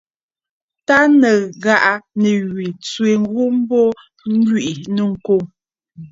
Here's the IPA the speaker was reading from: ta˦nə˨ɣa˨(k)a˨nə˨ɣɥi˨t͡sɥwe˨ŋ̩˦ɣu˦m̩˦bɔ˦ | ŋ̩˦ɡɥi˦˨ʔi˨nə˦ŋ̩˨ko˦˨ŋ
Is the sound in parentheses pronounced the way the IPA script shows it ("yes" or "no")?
no